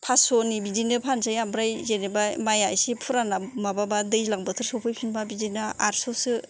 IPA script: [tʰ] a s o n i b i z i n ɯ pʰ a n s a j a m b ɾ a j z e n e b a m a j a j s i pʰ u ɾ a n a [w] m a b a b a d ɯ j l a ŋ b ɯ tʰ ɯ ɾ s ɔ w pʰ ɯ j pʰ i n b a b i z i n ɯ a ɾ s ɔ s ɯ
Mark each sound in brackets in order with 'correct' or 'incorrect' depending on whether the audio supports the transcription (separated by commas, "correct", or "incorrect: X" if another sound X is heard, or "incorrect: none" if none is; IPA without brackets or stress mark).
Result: incorrect: pʰ, incorrect: none